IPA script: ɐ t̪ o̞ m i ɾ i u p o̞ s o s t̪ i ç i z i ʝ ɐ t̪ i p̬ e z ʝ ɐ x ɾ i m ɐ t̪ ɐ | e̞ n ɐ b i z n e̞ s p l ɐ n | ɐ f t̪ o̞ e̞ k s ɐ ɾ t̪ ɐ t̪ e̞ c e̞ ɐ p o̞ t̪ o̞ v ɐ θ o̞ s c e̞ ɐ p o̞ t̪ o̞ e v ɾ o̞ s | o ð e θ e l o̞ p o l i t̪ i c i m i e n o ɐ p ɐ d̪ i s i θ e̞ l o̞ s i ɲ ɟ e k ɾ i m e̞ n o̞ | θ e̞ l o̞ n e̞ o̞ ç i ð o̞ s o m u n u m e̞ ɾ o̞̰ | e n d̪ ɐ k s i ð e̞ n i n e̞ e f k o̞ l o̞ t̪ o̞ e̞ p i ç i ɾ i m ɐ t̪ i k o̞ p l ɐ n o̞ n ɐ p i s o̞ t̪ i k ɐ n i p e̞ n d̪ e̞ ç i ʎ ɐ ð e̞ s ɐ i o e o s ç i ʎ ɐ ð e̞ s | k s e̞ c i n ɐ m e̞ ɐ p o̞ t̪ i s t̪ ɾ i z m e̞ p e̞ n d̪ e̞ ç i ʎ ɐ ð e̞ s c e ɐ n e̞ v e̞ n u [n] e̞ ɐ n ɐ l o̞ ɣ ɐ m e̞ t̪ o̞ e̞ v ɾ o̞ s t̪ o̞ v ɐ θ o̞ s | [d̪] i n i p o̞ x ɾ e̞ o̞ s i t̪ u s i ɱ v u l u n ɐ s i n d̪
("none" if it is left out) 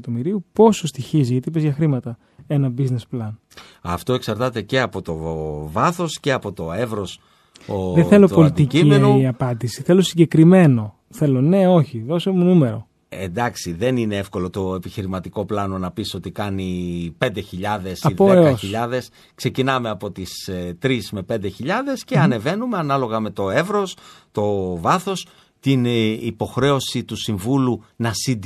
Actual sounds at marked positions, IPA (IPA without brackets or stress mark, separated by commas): m, t̪